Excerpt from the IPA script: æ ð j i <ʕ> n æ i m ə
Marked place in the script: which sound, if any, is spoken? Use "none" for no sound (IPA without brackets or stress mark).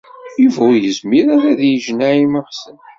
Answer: ʒ